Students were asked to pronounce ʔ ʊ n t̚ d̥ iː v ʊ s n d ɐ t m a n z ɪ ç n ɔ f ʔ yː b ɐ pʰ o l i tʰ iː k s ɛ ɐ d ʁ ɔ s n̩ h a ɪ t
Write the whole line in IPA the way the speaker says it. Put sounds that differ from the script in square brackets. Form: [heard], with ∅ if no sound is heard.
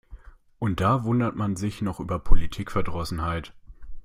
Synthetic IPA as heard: ʔ ʊ n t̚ d̥ [aː] v ʊ [∅] n d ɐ t m a n z ɪ ç n ɔ [χ] ʔ yː b ɐ pʰ o l i tʰ iː k [f] ɛ ɐ d ʁ ɔ s n̩ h a ɪ t